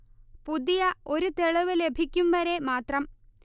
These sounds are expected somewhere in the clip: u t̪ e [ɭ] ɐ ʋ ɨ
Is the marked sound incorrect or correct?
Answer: correct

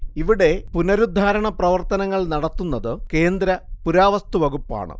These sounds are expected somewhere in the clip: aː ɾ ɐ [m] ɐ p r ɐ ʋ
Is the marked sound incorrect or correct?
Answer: incorrect: ɳ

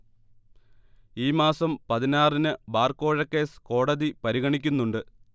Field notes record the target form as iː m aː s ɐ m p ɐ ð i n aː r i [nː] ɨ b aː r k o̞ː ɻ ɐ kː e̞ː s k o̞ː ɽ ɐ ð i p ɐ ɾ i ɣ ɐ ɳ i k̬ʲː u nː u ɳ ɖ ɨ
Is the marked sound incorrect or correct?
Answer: incorrect: n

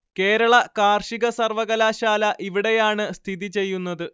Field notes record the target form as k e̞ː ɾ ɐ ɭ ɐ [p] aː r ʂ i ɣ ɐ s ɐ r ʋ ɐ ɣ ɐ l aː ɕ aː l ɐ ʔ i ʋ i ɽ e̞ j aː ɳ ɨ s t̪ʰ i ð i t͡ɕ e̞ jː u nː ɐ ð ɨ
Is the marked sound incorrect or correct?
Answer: incorrect: k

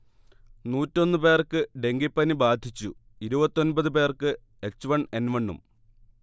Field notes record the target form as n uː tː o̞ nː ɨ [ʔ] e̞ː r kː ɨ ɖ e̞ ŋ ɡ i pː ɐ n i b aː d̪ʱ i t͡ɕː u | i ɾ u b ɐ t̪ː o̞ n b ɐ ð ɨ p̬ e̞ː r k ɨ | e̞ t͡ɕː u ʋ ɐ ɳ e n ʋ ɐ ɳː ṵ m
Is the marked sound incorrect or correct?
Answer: incorrect: p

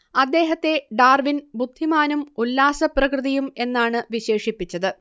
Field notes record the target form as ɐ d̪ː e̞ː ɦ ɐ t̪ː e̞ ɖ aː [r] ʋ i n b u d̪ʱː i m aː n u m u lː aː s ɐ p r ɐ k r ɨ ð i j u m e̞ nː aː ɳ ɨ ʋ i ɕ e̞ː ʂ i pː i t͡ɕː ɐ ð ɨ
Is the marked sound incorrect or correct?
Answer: correct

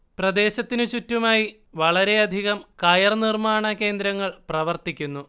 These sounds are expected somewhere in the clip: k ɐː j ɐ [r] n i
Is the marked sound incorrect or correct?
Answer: correct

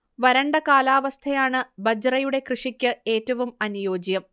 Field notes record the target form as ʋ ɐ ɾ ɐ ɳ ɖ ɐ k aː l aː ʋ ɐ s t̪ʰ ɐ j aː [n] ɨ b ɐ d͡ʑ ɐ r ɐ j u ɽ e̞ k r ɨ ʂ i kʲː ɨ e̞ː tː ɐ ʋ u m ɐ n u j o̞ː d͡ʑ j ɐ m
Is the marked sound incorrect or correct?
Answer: incorrect: ɳ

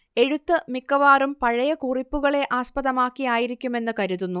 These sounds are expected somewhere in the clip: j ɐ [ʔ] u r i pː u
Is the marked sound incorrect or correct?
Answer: incorrect: k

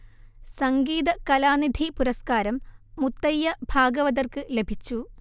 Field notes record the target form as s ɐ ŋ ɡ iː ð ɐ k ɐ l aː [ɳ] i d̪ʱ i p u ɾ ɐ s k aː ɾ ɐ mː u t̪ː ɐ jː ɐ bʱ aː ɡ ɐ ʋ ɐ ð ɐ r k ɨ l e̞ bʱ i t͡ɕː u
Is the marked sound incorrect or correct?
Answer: incorrect: n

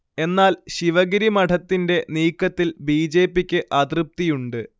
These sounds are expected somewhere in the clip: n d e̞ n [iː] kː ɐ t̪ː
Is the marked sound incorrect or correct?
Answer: correct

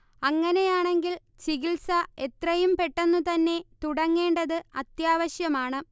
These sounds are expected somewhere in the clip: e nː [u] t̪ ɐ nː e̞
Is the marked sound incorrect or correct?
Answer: correct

